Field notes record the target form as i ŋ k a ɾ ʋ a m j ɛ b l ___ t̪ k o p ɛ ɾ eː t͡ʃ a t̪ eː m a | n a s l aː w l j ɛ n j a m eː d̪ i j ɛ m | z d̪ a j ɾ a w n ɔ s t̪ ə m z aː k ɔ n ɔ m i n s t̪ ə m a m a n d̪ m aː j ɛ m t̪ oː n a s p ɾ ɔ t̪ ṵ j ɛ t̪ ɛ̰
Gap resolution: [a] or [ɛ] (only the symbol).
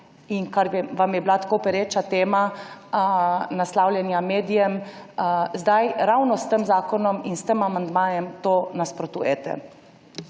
a